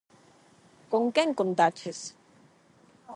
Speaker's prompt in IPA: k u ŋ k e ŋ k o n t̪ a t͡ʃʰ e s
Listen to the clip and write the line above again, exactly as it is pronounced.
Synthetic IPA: k o ŋ k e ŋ k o n t̪ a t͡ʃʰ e s